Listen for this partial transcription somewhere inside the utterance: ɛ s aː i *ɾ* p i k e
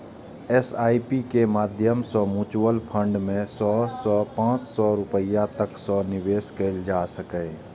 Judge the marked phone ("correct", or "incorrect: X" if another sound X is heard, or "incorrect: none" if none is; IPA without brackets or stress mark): incorrect: none